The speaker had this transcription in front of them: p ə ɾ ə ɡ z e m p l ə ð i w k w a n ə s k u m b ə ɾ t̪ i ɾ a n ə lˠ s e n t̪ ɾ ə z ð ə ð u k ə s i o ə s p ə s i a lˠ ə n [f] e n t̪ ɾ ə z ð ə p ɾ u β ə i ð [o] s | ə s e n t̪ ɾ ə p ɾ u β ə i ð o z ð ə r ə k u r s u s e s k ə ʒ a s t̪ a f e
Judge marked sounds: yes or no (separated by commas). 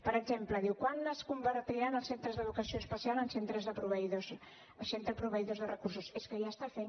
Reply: no, yes